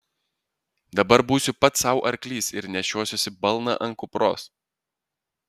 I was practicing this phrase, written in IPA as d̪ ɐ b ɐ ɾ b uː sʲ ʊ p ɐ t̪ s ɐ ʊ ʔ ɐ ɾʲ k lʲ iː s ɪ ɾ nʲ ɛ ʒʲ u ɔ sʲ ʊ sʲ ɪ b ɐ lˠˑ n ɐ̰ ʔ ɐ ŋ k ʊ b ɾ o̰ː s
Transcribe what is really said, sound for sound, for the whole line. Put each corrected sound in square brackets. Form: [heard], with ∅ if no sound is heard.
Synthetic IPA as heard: d̪ ɐ b ɐ ɾ b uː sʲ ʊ p ɐ t̪ s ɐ ʊ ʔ ɐ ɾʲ k lʲ iː s ɪ ɾ nʲ ɛ [ʃʲ] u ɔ sʲ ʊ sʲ ɪ b ɐ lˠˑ n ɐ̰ ʔ ɐ ŋ k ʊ [p] ɾ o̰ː s